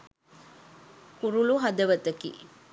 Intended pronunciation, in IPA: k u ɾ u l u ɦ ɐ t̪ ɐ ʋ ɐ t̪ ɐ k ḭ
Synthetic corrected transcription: k u ɾ u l u ɦ ɐ d̪ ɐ ʋ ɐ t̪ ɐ k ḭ